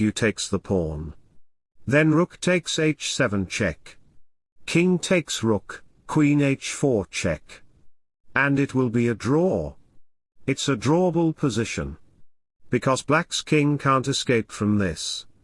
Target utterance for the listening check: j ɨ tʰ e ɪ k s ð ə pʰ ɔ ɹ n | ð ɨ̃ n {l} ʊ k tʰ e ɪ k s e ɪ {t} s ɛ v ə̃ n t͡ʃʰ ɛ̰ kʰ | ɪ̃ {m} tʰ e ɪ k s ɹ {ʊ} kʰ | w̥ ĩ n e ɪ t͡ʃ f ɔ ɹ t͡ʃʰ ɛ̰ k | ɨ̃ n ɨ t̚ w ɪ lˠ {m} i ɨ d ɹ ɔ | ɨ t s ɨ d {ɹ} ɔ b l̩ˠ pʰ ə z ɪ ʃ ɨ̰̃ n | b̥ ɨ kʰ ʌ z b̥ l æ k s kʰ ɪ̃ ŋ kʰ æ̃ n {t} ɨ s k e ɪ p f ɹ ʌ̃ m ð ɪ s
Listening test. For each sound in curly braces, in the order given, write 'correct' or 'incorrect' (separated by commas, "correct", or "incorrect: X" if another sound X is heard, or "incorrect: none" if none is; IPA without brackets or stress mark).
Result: incorrect: ɹ, incorrect: t͡ʃ, incorrect: ŋ, correct, incorrect: b, correct, correct